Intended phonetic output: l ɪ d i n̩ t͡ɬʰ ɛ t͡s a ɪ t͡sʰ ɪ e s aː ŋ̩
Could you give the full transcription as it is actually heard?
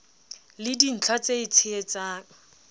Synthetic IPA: l ɪ d i n̩ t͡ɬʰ a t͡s e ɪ t͡sʰ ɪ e t͡s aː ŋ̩